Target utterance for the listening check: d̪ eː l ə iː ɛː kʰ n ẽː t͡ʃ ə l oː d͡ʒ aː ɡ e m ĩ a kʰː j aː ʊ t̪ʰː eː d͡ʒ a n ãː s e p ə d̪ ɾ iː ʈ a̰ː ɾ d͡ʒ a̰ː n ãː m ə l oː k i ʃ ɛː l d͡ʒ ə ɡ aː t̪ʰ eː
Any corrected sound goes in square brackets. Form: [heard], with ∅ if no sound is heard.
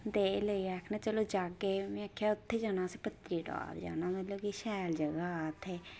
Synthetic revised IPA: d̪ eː l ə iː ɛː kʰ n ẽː t͡ʃ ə l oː d͡ʒ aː ɡ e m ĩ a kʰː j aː ʊ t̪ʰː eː d͡ʒ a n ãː s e p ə [t̪] ɾ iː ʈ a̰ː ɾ d͡ʒ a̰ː n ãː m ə l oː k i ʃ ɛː l d͡ʒ ə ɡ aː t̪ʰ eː